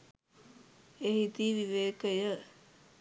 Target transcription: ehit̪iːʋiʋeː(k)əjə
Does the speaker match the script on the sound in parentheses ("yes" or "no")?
yes